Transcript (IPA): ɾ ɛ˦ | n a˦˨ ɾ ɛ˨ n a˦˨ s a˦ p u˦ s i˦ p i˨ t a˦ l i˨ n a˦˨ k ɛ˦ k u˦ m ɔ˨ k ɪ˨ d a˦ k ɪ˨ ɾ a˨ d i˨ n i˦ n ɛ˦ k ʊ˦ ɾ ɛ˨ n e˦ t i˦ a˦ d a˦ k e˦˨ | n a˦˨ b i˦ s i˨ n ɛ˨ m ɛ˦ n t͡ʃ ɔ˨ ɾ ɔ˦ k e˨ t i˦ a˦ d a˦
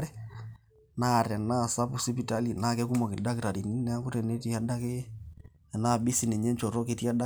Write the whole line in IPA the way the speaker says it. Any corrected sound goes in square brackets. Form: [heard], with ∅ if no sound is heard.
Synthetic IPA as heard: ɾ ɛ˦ | n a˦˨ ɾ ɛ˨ n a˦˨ s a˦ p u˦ s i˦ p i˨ t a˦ l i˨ n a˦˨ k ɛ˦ k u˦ m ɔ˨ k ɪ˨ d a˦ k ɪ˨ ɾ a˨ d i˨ n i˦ n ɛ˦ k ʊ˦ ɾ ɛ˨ n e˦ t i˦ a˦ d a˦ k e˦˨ | n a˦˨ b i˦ s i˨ n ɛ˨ [ɲ] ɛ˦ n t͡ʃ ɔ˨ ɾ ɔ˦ k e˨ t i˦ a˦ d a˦